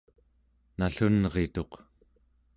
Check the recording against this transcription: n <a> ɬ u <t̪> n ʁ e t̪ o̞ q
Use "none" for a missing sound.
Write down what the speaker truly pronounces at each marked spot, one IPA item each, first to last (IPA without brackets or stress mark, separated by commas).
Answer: a, none